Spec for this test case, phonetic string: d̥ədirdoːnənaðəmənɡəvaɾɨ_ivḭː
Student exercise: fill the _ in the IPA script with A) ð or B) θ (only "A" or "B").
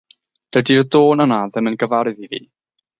A